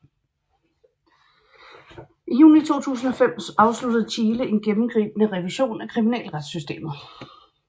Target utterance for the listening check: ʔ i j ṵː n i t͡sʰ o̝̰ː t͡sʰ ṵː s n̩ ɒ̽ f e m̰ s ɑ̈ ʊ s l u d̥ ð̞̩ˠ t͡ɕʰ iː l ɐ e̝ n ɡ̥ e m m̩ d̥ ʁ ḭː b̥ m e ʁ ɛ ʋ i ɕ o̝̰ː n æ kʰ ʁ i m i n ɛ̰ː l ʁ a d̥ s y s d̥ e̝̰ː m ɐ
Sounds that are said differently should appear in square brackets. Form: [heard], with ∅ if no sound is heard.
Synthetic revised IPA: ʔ i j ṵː n i t͡sʰ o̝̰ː t͡sʰ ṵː s n̩ ɒ̽ f e m̰ s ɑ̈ ʊ s l u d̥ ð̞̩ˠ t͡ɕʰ iː l [ə] e̝ n ɡ̥ e m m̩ [ɡ̥] ʁ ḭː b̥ m e ʁ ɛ ʋ i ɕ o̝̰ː n æ kʰ ʁ i m i n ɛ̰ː l ʁ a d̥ s y s d̥ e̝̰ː m ɐ